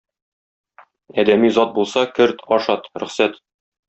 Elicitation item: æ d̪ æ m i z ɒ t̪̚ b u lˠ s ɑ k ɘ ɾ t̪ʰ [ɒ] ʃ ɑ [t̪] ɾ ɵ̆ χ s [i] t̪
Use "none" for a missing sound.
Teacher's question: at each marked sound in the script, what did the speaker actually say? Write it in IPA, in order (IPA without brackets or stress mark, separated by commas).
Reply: ɒ, t̪, æ